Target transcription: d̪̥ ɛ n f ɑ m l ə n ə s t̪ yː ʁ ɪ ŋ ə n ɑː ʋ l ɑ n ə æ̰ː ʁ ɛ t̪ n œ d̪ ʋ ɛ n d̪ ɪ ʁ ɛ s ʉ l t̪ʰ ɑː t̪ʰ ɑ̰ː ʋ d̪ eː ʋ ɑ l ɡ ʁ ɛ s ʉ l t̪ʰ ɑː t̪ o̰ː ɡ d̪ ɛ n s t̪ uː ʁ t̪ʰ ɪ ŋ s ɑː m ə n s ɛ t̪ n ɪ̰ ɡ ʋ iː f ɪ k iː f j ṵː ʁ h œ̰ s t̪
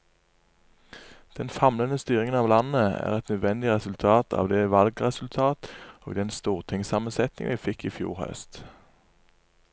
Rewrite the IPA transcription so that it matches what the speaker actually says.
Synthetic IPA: d̪̥ ɛ n f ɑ m l ə n ə s t̪ yː ʁ ɪ ŋ ə n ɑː ʋ l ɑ n ə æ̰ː ʁ ɛ t̪ n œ d̪ ʋ ɛ n d̪ ɪ ʁ ɛ s ʉ l t̪ʰ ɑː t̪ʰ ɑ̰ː ʋ d̪ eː ʋ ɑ l ɡ ʁ ɛ s ʉ l t̪ʰ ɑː t̪ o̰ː ɡ d̪ ɛ n s t̪ uː ʁ t̪ʰ ɪ ŋ s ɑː m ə n s ɛ t̪ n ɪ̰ ŋ ʋ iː f ɪ k iː f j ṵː ʁ h œ̰ s t̪